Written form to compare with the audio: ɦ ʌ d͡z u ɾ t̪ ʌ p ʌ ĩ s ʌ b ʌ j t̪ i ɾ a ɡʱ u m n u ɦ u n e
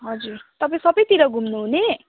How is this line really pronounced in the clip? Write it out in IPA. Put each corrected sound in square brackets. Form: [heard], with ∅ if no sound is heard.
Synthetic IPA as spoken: ɦ ʌ d͡z u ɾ t̪ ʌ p [a] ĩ s ʌ b ʌ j t̪ i ɾ [ʌ] ɡʱ u m n u ɦ u n e